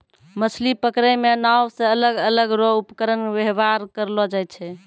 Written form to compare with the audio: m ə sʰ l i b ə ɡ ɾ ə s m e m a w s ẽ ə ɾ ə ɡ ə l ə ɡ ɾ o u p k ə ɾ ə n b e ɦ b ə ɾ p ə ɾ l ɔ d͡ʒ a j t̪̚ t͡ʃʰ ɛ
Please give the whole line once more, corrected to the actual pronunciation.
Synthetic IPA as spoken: m ə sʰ l i p ə k ɾ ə m e n a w s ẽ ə l ə ɡ ə l ə ɡ ɾ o u p k ə ɾ ə n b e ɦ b a ɾ k ə ɾ l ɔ d͡ʒ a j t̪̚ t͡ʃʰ ɛ